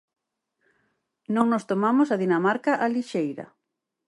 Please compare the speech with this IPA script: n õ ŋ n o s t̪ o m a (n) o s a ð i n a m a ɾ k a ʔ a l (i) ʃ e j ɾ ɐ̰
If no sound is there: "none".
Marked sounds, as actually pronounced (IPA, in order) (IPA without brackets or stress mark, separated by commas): m, i